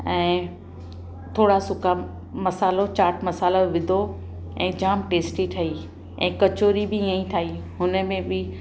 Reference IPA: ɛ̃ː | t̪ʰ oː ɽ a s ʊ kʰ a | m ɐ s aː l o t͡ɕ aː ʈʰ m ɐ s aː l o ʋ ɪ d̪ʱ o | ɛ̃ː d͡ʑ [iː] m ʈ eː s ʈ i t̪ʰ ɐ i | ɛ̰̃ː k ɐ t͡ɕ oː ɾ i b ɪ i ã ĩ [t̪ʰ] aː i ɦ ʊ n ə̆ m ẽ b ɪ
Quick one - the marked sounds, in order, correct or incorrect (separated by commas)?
incorrect, correct